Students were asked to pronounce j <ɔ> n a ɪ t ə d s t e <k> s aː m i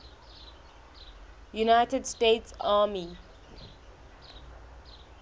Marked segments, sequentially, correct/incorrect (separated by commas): incorrect, incorrect